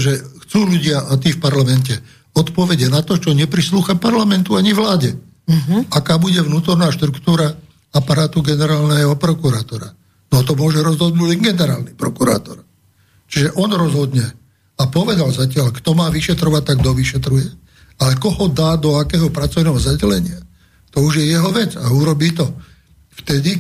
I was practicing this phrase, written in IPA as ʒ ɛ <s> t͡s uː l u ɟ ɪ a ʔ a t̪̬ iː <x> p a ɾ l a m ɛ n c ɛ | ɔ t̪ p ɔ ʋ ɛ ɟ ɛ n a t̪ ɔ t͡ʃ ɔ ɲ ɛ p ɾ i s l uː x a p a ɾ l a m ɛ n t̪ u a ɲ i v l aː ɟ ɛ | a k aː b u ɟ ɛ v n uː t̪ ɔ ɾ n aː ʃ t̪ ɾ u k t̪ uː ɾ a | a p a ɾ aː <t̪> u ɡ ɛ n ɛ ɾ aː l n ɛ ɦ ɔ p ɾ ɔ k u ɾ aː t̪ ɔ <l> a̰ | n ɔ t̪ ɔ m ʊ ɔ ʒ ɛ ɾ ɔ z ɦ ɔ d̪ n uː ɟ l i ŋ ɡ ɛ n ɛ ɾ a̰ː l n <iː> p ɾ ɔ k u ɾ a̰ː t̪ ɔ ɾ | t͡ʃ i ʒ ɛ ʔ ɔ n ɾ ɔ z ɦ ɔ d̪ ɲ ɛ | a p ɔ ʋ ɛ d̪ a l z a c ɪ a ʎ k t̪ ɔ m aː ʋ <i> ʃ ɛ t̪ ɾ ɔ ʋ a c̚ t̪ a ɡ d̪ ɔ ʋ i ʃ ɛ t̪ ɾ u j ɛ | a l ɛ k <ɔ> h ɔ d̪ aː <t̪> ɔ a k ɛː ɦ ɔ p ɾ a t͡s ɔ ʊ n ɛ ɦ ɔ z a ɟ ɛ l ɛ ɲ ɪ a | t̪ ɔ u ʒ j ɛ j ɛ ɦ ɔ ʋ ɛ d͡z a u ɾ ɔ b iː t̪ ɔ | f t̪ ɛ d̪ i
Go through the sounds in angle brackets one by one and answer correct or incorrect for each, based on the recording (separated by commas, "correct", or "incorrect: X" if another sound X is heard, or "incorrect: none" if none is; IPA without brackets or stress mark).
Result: incorrect: x, incorrect: f, correct, incorrect: ɾ, incorrect: i, correct, correct, incorrect: d̪